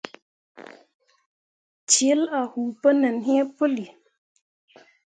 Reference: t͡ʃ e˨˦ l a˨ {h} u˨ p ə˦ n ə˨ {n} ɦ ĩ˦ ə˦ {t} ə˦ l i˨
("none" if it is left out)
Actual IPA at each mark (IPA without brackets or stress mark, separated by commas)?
h, n, p